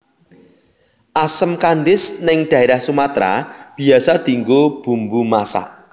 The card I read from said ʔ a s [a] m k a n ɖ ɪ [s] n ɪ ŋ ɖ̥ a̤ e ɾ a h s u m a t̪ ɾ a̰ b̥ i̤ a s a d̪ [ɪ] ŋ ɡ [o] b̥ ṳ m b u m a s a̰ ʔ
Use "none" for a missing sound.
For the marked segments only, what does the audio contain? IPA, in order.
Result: ə, s, i, o

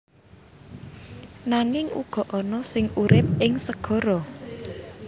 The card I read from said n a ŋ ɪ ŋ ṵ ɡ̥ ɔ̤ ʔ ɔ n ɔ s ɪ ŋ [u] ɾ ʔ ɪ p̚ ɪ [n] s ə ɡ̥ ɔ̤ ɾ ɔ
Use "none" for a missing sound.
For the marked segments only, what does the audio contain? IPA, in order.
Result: u, ŋ

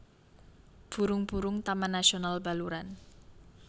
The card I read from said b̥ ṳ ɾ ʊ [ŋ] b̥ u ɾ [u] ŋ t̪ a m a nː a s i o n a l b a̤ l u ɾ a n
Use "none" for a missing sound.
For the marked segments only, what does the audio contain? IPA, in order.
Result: ŋ, ʊ

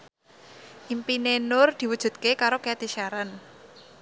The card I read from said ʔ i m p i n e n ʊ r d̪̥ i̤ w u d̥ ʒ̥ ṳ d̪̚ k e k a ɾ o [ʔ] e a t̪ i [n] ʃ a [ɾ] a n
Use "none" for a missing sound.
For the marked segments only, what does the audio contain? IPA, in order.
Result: k, none, ɾ

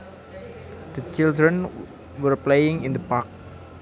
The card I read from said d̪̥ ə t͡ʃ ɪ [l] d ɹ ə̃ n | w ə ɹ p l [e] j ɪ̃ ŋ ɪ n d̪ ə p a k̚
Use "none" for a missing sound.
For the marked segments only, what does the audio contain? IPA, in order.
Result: l, e

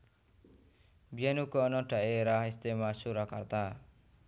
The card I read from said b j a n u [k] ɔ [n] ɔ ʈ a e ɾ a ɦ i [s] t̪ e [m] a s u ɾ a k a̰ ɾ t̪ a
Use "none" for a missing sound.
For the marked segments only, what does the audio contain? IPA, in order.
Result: k, n, s, m

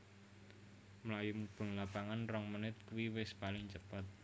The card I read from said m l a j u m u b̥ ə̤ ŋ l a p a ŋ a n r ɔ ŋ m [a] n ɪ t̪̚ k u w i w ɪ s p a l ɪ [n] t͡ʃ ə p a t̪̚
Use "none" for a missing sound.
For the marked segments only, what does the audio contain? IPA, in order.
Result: ə, ŋ

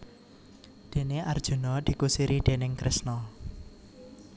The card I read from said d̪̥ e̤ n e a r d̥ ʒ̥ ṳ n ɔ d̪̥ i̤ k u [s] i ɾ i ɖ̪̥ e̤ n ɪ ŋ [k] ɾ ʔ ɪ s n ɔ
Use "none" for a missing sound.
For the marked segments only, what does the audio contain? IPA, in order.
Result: s, k

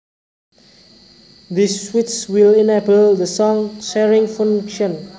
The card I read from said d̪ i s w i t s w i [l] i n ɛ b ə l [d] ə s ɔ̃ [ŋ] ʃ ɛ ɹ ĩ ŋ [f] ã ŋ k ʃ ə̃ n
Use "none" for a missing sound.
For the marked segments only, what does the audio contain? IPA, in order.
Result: l, d, ŋ, f

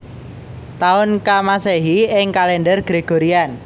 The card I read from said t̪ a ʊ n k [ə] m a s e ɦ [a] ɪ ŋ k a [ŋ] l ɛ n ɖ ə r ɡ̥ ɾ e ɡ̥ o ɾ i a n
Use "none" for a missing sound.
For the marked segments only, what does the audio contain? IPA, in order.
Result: a, i, none

